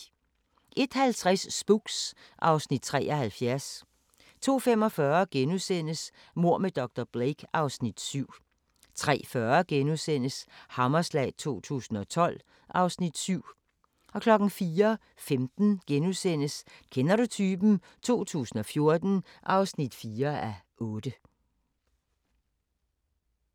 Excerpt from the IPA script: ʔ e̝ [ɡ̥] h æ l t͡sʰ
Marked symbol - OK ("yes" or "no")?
no